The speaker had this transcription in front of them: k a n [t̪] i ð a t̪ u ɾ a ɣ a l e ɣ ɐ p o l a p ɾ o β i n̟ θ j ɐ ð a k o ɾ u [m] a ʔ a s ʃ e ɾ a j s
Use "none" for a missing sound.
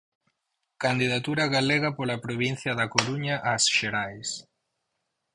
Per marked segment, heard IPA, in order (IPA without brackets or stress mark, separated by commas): d̪, ɲ